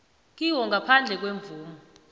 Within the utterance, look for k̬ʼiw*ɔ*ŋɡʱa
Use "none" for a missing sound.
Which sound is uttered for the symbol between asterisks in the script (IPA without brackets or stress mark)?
ɔ